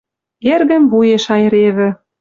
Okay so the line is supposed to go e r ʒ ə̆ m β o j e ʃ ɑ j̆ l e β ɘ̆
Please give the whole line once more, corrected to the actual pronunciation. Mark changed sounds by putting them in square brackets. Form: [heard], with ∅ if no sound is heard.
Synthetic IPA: e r [ɣ] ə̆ m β [u] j e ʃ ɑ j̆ [ɾ] e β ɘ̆

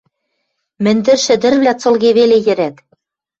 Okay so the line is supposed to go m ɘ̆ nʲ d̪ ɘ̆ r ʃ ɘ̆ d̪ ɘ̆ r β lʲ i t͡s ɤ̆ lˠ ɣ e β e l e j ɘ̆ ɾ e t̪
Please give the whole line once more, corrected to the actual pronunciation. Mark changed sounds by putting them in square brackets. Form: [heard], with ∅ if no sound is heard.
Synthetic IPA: m ɘ̆ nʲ d̪ ɘ̆ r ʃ ɘ̆ d̪ ɘ̆ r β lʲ [æ] t͡s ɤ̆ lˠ ɣ e β e l e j ɘ̆ ɾ [æ] t̪

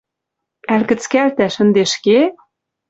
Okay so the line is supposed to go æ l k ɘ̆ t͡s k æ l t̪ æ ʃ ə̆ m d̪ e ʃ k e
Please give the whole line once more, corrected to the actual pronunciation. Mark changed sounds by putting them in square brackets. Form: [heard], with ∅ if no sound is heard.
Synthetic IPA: æ l k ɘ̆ t͡s k æ l t̪ æ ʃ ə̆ [n] d̪ e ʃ k e

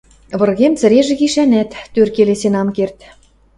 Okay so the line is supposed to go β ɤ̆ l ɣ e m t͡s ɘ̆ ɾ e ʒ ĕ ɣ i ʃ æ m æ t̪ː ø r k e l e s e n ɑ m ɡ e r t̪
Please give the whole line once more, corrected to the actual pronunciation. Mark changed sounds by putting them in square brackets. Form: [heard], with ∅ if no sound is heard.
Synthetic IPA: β ɤ̆ [r] ɣ e m t͡s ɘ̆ ɾ e ʒ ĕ ɣ i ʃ æ [n] æ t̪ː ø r k e l e s e n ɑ m [k] e r t̪

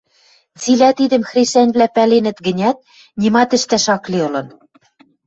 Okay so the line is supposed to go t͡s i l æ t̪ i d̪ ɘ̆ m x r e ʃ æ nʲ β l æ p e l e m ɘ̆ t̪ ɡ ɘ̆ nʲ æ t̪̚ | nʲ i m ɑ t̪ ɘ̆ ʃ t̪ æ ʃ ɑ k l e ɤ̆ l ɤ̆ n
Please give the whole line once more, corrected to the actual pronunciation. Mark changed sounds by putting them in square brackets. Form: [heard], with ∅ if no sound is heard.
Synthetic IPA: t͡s i l æ t̪ i d̪ ɘ̆ m x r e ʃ æ nʲ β l æ p [æ] l e [n] ɘ̆ t̪ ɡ ɘ̆ nʲ æ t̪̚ | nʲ i m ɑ t̪ ɘ̆ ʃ t̪ æ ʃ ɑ k l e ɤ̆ l ɤ̆ n

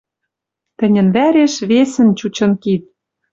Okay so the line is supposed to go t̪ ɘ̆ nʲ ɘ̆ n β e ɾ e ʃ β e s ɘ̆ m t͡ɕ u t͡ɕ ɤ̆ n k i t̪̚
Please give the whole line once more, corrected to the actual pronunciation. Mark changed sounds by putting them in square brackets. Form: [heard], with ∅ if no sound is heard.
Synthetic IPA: t̪ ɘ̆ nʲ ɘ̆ n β [æ] ɾ e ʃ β e s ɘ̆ [n] t͡ɕ u t͡ɕ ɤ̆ n k i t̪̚

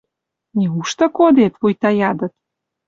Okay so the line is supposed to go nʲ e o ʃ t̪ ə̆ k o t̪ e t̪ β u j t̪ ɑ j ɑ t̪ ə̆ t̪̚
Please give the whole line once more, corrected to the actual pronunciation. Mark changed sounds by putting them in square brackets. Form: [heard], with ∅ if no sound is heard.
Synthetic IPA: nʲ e [u] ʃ t̪ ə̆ k o [d̪] e t̪ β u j t̪ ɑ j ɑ [d̪] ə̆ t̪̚

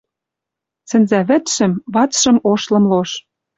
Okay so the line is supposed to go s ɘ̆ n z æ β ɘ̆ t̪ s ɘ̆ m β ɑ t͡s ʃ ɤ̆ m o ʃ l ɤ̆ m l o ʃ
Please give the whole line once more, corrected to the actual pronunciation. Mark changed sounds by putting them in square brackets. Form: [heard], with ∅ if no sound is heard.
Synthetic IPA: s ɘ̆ n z æ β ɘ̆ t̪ [ʃ] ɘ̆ m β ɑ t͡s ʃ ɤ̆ m o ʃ l ɤ̆ m l o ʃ

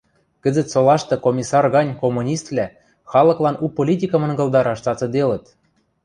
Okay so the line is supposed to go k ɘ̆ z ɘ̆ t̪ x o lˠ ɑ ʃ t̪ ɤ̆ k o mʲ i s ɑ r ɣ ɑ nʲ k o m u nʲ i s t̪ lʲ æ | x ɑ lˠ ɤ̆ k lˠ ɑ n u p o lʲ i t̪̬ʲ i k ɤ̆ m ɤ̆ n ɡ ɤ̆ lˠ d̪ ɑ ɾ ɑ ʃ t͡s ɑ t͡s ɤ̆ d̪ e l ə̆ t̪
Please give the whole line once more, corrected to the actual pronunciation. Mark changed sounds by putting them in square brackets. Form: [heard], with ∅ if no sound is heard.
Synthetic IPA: k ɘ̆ z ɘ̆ t̪ [s] o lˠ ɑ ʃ t̪ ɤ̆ k o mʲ i s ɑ r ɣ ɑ nʲ k o m u nʲ i s t̪ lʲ æ | x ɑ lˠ ɤ̆ k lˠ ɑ n u p o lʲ i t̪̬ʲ i k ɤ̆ m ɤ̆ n ɡ ɤ̆ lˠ d̪ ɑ ɾ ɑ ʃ t͡s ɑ t͡s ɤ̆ d̪ e l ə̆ t̪

